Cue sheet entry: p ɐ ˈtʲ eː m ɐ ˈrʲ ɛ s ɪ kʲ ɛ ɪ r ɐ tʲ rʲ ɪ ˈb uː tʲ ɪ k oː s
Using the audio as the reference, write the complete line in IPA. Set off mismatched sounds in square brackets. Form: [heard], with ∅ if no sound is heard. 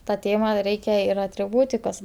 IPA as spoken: [t] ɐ ˈtʲ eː m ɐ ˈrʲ ɛ [∅] ɪ kʲ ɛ ɪ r ɐ tʲ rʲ ɪ ˈb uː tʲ ɪ k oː s